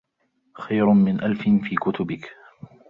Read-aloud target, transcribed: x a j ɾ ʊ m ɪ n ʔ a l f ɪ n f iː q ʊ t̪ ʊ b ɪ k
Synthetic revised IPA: x a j ɾ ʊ m ɪ n ʔ a l f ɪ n f iː k ʊ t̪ ʊ b ɪ k